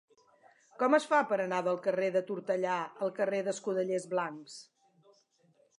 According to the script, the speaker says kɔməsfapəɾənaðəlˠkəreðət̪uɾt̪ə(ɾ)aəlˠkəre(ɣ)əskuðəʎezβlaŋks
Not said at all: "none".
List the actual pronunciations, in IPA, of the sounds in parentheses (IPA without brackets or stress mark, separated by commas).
ʎ, ð